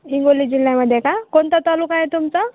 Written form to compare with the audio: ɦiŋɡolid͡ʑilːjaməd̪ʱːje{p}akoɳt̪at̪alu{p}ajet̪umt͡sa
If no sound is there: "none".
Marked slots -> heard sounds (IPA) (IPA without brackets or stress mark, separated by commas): k, k